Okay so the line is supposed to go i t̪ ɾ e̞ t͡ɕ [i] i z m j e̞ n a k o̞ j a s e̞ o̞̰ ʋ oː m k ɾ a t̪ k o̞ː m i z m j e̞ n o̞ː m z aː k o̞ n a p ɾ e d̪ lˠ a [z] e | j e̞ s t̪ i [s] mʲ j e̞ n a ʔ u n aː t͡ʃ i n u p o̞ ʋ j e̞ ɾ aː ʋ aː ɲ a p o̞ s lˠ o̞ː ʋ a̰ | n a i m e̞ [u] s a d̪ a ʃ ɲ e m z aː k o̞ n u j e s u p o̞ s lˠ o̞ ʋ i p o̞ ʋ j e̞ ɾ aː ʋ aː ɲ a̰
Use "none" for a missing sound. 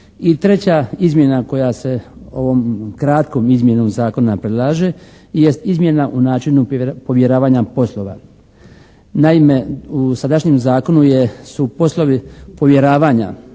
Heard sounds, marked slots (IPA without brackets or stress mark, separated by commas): a, ʒ, z, u